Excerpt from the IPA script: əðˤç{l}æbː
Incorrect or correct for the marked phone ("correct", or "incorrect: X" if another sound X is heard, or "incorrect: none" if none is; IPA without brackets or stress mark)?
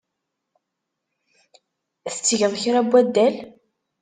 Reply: incorrect: ɾ